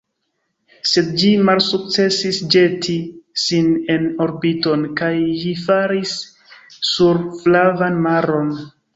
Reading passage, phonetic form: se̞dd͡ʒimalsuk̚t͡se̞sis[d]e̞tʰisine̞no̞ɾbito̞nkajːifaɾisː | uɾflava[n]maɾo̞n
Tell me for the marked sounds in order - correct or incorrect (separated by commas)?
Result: incorrect, correct